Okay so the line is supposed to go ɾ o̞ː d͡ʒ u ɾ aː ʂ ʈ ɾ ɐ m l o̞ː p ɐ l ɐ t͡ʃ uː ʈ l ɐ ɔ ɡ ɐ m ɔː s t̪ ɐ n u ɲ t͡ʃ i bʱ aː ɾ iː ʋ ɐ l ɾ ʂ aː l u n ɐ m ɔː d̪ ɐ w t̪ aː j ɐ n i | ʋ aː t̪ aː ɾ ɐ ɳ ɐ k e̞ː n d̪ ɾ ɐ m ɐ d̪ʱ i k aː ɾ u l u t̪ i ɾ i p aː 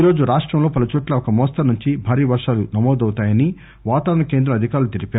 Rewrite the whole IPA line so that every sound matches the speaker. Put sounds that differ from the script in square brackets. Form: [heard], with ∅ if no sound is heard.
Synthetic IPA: ɾ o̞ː d͡ʒ u ɾ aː ʂ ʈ ɾ ɐ m l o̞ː p ɐ l ɐ t͡ʃ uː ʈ l ɐ ɔ [k] ɐ m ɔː s t̪ ɐ n u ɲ t͡ʃ i bʱ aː ɾ iː ʋ ɐ [∅] ɾ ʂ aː l u n ɐ m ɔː d̪ ɐ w t̪ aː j ɐ n i | ʋ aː t̪ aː ɾ ɐ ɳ ɐ k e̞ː n d̪ ɾ ɐ m ɐ d̪ʱ i k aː ɾ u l u t̪ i ɾ i p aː